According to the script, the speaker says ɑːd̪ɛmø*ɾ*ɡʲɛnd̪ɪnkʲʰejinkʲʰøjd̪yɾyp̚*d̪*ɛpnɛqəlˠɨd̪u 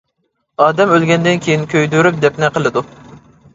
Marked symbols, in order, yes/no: no, yes

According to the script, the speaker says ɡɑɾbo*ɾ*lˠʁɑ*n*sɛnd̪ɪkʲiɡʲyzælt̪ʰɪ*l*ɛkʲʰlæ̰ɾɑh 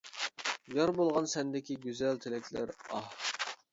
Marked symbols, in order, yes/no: no, yes, yes

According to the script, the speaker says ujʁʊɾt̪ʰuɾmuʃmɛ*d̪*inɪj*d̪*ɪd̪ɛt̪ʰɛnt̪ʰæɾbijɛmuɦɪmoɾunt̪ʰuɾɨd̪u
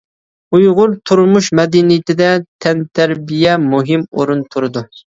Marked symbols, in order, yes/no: yes, no

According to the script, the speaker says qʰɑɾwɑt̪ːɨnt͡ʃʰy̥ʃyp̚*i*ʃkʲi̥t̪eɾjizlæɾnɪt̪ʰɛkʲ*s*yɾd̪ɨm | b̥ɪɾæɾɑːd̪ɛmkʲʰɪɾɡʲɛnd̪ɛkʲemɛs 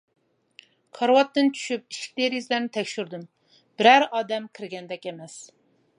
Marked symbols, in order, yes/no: yes, no

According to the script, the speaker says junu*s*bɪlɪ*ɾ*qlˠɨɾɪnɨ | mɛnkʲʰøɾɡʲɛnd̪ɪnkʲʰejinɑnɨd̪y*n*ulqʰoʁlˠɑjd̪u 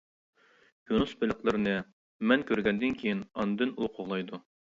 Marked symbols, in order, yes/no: yes, no, yes

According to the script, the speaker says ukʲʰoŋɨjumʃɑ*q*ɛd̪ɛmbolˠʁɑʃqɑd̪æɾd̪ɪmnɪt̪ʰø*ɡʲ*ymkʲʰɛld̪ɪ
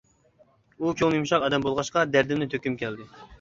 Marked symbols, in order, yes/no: yes, no

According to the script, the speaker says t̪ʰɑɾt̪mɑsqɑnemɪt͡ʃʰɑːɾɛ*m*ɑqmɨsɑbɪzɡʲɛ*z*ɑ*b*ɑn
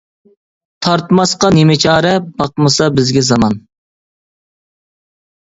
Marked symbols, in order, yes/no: no, yes, no

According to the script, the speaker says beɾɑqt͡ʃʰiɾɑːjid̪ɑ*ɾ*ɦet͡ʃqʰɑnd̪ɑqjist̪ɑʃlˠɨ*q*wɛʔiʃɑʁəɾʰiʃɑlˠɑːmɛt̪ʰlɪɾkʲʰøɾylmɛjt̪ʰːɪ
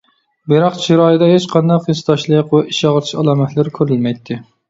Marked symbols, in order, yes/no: no, yes

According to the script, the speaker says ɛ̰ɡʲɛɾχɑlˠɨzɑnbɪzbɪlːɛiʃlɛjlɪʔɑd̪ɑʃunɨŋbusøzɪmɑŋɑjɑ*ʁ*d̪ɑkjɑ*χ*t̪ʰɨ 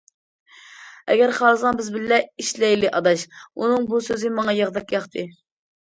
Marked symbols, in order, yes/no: yes, yes

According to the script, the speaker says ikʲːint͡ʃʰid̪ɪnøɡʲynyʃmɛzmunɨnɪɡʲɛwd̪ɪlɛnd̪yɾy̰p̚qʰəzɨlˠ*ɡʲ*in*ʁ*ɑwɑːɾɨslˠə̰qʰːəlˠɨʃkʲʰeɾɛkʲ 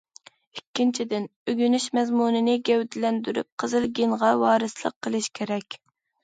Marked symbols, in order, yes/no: yes, yes

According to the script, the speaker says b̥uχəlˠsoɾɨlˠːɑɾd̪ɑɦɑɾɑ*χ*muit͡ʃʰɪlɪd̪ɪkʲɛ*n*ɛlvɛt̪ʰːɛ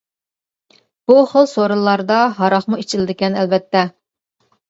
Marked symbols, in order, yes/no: yes, yes

